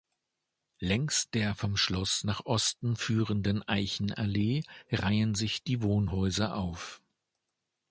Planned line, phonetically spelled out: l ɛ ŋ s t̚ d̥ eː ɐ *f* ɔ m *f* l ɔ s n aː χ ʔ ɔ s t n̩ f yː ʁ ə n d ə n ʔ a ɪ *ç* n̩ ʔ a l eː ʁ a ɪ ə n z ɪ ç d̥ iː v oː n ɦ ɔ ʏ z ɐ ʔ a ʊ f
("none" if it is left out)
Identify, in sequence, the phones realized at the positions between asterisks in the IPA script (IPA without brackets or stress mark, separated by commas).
f, ʃ, ç